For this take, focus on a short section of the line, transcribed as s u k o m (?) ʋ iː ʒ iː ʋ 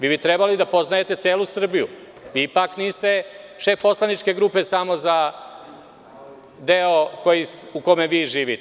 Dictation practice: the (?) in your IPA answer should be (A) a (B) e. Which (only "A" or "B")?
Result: B